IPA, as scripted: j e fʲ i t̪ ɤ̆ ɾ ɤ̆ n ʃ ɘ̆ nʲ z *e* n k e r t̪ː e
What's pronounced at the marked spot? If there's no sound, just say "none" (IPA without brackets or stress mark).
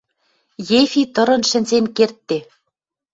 e